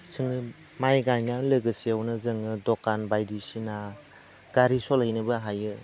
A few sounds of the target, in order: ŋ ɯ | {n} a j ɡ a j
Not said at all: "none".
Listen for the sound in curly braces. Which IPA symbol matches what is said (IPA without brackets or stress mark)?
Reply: m